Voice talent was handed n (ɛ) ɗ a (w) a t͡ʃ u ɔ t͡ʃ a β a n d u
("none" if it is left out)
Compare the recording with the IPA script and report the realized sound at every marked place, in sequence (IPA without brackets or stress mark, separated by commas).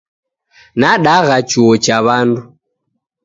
a, ɣ